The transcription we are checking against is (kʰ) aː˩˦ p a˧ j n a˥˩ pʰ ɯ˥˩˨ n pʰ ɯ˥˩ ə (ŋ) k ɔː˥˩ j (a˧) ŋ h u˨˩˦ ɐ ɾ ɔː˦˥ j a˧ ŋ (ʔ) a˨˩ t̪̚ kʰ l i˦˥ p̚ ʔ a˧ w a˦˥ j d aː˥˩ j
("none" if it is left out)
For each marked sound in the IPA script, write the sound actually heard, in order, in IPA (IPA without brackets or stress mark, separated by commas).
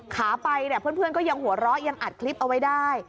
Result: kʰ, n, a˧, ʔ